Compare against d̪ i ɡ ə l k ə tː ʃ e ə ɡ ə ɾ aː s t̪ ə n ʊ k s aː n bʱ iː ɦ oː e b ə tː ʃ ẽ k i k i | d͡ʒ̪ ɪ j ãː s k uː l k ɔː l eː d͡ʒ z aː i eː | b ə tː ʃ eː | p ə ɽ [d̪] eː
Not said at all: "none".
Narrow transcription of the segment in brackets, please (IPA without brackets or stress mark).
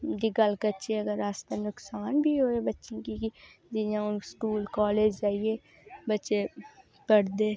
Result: d̪